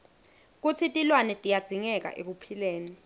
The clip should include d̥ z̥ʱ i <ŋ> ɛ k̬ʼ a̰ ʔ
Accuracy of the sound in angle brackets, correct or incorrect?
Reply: correct